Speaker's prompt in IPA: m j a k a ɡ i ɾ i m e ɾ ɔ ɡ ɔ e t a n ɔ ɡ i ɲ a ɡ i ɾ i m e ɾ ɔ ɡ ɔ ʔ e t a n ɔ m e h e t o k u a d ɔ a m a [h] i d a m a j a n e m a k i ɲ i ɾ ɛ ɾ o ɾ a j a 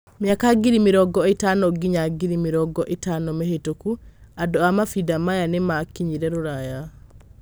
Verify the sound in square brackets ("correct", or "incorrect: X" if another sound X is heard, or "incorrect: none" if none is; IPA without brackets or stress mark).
incorrect: f